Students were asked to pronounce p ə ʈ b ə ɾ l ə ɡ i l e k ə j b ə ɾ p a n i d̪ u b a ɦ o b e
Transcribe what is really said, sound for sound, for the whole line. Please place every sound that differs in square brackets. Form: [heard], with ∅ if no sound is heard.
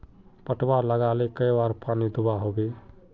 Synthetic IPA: p ə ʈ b [a] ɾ l ə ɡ [a] l e k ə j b [a] ɾ p a n i d̪ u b a ɦ o b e